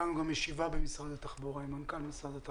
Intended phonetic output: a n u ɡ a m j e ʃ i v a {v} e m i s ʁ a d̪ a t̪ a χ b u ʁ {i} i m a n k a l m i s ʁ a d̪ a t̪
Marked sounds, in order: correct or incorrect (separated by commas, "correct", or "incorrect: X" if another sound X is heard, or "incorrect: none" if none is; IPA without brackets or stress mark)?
incorrect: b, incorrect: a